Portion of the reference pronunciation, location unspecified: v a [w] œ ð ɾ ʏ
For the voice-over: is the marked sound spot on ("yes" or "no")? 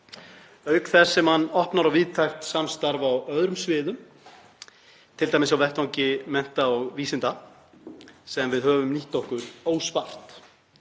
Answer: yes